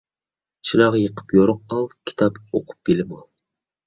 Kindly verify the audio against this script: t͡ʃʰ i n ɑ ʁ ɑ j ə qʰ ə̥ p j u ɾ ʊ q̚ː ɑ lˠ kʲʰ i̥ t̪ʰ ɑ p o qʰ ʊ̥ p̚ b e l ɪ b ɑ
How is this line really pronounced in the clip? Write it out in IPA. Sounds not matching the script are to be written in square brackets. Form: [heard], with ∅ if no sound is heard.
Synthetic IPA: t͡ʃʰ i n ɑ ʁ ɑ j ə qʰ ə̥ p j [o] ɾ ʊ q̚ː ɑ lˠ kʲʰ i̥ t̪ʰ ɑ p o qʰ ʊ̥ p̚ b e l ɪ [m] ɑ

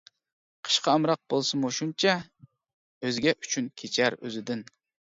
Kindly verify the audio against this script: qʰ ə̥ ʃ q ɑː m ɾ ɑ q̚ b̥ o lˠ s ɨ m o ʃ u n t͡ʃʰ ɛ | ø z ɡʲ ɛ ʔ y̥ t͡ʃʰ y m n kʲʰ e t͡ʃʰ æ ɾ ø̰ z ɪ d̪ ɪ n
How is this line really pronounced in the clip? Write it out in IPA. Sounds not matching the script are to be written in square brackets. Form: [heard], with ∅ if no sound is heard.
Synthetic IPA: qʰ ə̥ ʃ q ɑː m ɾ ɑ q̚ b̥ o lˠ s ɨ m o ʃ u n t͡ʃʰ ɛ | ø z ɡʲ ɛ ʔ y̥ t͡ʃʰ y [∅] n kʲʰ e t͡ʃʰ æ ɾ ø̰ z ɪ d̪ ɪ n

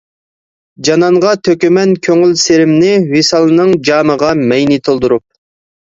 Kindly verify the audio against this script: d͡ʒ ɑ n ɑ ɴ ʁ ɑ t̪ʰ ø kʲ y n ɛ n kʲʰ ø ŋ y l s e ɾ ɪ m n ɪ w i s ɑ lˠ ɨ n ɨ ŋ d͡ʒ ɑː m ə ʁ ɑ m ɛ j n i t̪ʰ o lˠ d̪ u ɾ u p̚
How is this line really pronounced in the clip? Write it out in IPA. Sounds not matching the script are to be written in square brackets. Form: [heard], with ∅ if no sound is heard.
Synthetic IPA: d͡ʒ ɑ n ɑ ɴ ʁ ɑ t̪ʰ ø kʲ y [m] ɛ n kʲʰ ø ŋ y l s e ɾ ɪ m n ɪ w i s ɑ lˠ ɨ n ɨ ŋ d͡ʒ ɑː m ə ʁ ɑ m ɛ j n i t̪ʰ o lˠ d̪ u ɾ u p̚

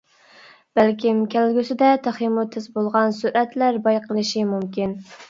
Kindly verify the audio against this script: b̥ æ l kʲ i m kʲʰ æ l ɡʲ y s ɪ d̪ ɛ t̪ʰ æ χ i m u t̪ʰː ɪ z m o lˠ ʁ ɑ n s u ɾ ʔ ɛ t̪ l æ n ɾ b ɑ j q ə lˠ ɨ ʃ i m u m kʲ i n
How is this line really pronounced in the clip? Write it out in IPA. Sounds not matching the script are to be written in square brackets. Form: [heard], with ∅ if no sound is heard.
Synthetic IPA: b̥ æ l kʲ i m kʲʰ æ l ɡʲ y s ɪ d̪ ɛ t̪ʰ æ χ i m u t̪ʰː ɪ z [b] o lˠ ʁ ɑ n s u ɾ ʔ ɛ t̪ l æ [∅] ɾ b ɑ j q ə lˠ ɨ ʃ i m u m kʲ i n

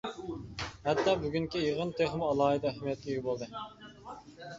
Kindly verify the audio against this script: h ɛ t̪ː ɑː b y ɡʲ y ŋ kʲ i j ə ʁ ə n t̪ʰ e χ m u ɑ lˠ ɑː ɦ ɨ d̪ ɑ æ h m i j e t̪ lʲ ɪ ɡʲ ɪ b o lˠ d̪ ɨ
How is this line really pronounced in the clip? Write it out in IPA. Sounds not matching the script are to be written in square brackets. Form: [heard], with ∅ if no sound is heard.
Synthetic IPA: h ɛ t̪ː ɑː b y ɡʲ y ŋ kʲ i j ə ʁ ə n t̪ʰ e χ m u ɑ lˠ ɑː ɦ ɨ d̪ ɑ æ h m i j [ɛ] t̪ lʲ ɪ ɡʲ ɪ b o lˠ d̪ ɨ

